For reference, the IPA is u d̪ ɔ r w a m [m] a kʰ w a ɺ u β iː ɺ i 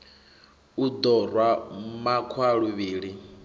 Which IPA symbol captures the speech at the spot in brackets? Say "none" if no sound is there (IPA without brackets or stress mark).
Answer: m